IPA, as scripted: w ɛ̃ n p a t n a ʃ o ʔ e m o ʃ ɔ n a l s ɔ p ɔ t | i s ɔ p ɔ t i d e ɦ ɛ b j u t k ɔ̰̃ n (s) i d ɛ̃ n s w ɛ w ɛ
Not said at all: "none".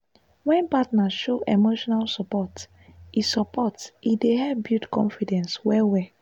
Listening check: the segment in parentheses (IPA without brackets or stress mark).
f